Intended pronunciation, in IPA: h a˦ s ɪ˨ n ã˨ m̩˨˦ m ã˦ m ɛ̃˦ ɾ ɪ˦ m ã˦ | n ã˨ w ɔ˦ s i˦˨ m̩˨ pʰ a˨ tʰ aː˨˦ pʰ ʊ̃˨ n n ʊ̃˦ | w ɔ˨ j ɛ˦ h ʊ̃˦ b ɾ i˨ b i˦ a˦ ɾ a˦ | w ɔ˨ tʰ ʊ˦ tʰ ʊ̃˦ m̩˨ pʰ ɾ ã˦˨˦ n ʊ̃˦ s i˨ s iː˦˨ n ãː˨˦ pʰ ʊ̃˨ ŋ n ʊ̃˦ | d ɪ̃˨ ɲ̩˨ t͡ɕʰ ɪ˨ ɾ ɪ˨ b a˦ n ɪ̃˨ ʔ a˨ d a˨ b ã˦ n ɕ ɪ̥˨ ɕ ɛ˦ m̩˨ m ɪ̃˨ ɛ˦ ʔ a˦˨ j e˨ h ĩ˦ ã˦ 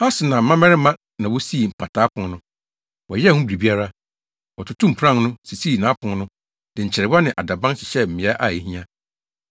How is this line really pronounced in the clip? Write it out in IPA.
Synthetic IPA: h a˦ s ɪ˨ n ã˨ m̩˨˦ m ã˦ m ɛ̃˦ ɾ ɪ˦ m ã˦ | n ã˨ w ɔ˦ s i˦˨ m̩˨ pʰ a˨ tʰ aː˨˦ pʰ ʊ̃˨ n n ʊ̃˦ | w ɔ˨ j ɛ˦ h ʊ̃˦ b ɾ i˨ b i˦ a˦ ɾ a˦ | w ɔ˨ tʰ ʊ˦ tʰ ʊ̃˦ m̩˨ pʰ ɾ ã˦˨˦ n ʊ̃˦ s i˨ s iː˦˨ n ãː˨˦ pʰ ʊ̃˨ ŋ n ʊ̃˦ | d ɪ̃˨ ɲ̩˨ t͡ɕʰ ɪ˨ ɾ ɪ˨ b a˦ n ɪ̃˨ ʔ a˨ d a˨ b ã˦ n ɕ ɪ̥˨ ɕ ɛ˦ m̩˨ m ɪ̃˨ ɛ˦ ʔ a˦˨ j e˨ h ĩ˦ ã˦